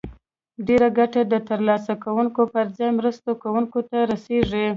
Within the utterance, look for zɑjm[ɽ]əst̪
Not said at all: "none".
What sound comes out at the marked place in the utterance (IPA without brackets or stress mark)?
ɾ